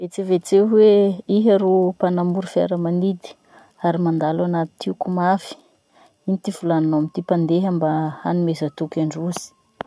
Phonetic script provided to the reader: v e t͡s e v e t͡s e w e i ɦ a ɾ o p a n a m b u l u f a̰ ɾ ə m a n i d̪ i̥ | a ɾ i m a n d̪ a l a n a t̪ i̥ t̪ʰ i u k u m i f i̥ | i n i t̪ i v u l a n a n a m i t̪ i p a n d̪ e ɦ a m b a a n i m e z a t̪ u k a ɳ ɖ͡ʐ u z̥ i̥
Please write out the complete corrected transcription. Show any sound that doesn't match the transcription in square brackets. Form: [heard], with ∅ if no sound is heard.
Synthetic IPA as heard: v e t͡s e v e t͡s e w e i ɦ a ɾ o p a n a m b u [ɾ] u f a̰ ɾ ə m a n i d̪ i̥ | a ɾ i m a n d̪ a l a n a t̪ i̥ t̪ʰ i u k u m [a] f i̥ | i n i t̪ i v u l a n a n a m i t̪ i p a n d̪ e ɦ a m b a a n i m e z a t̪ u k a ɳ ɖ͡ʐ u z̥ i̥